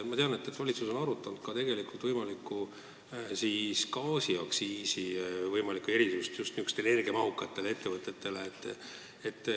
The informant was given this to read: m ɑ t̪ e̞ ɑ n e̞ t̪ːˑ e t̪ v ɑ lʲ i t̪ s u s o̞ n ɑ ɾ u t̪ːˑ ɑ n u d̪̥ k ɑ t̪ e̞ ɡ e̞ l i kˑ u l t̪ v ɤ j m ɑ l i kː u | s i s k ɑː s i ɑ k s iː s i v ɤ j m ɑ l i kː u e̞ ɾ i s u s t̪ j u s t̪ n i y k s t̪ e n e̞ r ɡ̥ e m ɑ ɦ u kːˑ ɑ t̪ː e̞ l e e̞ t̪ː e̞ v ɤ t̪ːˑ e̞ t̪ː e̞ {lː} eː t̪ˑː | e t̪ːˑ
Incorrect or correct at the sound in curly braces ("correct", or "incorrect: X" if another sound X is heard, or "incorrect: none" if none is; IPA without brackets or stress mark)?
incorrect: l